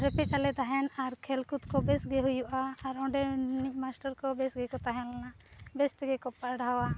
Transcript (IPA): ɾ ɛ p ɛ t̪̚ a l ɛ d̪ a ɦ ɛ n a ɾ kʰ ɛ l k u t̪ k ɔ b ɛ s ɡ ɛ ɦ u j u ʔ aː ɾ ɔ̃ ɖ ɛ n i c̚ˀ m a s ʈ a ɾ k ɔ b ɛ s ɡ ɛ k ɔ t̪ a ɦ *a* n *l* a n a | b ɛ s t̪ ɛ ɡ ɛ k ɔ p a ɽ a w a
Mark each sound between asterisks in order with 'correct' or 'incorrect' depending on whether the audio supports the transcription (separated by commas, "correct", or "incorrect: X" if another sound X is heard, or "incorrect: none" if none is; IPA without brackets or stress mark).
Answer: incorrect: ɛ, correct